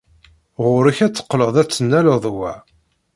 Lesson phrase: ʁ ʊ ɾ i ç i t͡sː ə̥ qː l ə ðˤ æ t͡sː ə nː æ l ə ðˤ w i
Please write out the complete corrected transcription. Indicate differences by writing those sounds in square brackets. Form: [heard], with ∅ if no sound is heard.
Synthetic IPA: ʁ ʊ ɾ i ç [æ] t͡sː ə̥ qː l ə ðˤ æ t͡sː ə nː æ l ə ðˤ w [æ]